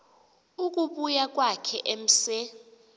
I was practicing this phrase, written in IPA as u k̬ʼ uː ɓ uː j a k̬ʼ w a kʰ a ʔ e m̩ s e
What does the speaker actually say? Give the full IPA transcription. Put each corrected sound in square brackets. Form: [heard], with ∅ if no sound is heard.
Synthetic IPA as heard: u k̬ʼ [u] ɓ [u] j a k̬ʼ w a kʰ [ɛ] ʔ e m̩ s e